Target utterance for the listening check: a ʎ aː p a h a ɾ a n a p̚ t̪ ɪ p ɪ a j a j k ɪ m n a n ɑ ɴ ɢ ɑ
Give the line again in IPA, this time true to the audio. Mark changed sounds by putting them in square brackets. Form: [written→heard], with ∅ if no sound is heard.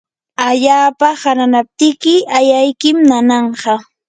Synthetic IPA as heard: a ʎ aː p a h a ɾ a n a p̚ t̪ ɪ [p→k] ɪ a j a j k ɪ m n a n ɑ ɴ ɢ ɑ